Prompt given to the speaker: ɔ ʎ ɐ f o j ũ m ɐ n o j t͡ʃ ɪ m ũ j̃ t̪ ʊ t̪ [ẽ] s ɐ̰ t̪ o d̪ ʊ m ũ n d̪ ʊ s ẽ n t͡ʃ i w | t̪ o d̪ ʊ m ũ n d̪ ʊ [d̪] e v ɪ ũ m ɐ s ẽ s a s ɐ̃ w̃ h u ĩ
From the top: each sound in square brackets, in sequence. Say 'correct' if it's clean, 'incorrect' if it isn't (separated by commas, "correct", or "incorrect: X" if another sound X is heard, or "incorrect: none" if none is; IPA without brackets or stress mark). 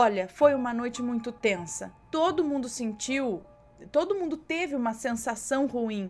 correct, incorrect: t̪